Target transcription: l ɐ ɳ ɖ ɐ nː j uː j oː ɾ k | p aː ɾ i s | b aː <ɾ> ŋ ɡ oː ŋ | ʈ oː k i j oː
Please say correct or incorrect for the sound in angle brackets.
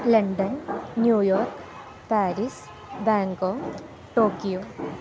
incorrect